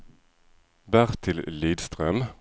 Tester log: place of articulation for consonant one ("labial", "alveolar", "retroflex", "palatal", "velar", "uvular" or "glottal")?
labial